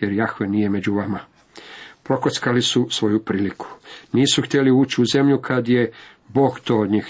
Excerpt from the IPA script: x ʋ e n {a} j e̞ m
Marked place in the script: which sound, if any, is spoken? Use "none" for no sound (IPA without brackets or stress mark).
i